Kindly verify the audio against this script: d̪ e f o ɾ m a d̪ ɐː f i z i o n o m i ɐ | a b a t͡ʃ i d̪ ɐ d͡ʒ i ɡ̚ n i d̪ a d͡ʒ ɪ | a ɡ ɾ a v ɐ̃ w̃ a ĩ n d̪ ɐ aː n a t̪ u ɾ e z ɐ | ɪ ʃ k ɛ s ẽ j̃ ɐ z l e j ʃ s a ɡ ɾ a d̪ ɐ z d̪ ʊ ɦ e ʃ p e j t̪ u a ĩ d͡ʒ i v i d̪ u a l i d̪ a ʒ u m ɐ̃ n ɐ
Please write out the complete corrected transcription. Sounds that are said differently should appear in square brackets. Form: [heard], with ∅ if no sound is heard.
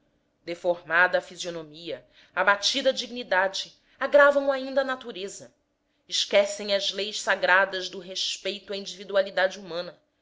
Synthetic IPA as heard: d̪ e f o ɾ m a d̪ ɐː f i z i o n o m i ɐ | a b a t͡ʃ i d̪ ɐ d͡ʒ i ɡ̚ n i d̪ a d͡ʒ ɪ | a ɡ ɾ a v ɐ̃ w̃ a ĩ n d̪ ɐ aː n a t̪ u ɾ e z ɐ | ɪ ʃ k ɛ s ẽ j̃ ɐ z l e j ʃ s a ɡ ɾ a d̪ ɐ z d̪ ʊ ɦ e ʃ p e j t̪ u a ĩ d͡ʒ i v i d̪ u a l i d̪ a [d͡ʒ] u m ɐ̃ n ɐ